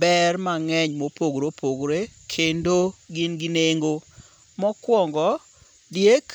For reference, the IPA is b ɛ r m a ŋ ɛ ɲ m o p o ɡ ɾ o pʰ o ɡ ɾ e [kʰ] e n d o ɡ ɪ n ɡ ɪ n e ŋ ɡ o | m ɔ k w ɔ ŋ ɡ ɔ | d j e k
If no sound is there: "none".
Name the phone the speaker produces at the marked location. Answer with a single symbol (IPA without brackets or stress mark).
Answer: kʰ